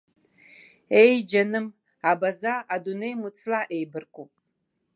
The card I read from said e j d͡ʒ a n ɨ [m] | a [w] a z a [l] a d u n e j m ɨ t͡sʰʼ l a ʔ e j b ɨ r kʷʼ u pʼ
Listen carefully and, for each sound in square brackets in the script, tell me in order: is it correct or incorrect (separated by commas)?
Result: correct, incorrect, incorrect